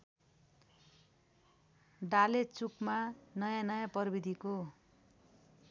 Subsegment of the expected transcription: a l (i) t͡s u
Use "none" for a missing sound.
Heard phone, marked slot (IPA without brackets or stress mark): e